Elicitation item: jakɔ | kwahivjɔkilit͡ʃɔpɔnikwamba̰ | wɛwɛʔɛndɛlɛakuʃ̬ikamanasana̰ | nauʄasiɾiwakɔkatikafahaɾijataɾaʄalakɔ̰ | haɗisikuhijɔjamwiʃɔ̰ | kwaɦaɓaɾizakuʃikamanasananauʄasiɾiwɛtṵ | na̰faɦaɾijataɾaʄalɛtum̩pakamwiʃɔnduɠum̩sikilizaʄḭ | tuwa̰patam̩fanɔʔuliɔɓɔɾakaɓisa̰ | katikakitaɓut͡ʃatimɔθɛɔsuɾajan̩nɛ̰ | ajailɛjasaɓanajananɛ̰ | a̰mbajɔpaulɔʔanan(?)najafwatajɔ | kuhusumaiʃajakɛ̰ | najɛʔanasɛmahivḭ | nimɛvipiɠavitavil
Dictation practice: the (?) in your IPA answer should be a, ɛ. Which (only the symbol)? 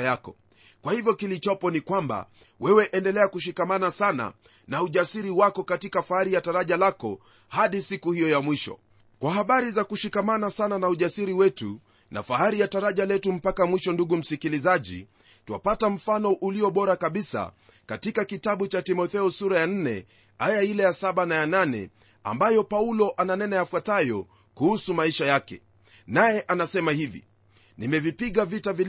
ɛ